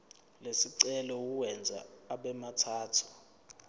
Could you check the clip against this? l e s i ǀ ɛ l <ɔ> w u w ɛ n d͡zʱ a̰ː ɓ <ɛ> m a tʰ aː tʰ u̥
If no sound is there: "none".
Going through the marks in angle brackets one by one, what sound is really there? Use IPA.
ɔ, ɛ

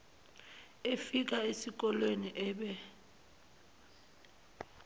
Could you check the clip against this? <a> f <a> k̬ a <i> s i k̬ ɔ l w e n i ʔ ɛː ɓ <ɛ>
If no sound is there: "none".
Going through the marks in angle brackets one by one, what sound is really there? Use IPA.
e, i, e, ɛ

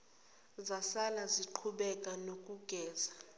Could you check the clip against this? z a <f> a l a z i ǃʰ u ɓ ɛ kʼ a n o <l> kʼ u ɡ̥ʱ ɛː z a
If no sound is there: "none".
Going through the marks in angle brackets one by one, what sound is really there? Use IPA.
s, none

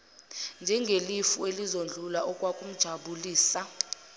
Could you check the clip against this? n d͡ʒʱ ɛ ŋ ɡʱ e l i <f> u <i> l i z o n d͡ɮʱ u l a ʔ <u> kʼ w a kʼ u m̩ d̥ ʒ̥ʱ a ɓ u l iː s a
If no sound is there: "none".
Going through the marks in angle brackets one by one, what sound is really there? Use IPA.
f, e, ɔ

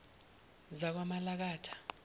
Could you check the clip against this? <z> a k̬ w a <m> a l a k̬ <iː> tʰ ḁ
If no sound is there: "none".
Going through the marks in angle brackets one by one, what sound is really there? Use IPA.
z, m, aː

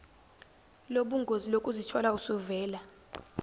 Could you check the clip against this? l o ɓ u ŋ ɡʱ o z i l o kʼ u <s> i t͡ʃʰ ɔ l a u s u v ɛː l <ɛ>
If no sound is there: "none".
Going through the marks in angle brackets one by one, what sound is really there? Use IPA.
z, a

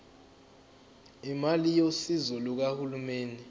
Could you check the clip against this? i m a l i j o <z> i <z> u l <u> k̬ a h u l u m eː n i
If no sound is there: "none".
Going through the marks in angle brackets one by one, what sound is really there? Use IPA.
s, z, u

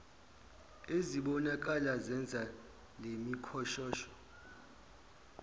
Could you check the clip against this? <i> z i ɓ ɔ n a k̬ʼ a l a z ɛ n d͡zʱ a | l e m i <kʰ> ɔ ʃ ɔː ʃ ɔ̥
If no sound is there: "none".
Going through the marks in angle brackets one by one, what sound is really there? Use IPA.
e, kʰ

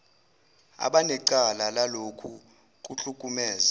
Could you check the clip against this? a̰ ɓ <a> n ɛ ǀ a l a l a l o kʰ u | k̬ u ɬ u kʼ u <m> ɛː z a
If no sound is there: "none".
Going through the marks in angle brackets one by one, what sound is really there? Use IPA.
a, m

